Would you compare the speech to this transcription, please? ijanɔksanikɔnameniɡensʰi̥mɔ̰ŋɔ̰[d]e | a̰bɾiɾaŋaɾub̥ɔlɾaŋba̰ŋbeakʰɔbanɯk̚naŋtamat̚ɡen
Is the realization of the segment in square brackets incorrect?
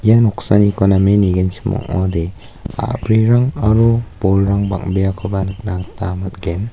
no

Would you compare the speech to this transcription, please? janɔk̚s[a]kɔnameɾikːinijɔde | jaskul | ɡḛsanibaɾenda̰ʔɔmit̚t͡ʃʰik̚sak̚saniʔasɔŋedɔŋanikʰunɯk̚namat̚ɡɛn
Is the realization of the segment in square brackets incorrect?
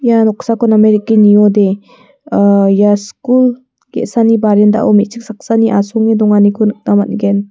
no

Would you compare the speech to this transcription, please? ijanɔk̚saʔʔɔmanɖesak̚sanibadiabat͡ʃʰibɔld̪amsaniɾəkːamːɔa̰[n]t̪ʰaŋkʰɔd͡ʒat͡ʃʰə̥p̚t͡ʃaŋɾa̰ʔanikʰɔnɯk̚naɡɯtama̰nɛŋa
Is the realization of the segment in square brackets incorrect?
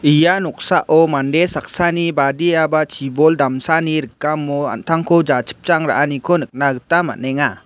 no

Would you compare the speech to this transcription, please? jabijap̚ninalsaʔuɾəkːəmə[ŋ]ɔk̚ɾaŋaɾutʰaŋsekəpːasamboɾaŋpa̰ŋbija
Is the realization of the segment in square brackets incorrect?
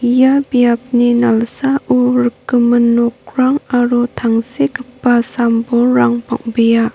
yes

